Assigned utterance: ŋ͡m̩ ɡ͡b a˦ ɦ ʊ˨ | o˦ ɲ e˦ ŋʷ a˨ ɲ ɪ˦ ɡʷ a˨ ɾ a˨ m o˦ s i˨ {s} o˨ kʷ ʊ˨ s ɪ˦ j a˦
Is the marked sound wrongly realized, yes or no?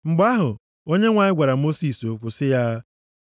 no